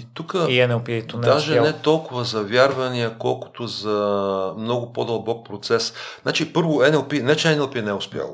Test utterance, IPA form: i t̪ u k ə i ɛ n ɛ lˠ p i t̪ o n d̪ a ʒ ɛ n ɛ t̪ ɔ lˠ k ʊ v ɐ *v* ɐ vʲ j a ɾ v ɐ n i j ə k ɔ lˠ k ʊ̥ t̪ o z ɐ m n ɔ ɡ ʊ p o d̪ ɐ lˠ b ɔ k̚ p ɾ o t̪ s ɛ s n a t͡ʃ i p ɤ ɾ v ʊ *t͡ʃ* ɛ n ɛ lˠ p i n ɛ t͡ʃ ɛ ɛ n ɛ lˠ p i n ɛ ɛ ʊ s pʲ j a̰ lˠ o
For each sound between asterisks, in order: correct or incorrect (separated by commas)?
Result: incorrect, incorrect